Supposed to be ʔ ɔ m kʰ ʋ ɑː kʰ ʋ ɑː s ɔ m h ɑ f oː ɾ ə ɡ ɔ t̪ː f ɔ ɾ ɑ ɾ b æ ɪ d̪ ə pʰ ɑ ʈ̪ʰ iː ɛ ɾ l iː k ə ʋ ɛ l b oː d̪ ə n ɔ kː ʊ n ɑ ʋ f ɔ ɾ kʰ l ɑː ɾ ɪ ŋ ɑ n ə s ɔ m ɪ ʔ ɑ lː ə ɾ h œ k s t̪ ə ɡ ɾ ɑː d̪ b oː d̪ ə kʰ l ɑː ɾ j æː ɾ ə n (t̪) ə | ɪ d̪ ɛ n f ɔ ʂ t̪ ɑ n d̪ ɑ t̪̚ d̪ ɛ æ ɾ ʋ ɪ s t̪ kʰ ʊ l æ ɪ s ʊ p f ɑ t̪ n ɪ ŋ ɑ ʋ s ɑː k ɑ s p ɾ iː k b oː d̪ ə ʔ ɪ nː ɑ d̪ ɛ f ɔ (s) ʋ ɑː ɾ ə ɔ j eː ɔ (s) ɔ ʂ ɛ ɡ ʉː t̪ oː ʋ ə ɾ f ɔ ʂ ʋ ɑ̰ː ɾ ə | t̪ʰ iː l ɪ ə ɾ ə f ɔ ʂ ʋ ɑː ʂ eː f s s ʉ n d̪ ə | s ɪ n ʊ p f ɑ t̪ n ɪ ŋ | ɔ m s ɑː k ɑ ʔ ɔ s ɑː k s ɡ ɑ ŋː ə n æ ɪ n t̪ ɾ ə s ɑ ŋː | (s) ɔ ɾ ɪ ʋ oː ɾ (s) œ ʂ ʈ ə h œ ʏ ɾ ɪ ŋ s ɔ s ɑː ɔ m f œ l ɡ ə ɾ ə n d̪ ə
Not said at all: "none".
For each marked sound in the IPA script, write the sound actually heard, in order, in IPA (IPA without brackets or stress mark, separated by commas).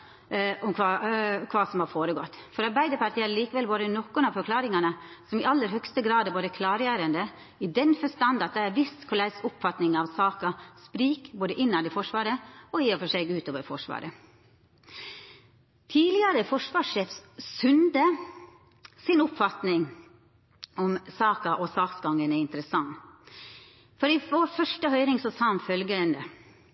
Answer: d̪, ʂ, f, f, f